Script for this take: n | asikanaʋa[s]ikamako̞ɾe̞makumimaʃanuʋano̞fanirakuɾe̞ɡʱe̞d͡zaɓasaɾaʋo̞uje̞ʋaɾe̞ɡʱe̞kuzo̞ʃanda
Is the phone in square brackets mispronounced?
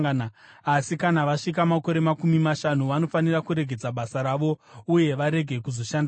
yes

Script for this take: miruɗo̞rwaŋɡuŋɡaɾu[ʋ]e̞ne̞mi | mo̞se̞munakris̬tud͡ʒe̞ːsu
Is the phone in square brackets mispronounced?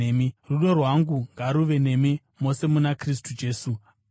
no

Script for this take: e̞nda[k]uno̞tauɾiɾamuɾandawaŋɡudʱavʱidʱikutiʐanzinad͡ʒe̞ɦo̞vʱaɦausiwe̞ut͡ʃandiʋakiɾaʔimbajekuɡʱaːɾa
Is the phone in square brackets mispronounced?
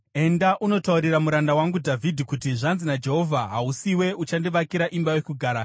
yes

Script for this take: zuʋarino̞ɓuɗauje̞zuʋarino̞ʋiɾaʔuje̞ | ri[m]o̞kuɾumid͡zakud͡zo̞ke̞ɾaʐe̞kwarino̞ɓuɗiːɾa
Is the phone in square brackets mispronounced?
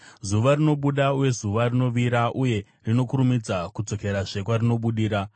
yes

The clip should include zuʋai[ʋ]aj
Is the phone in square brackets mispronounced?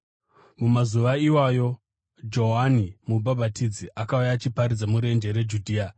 yes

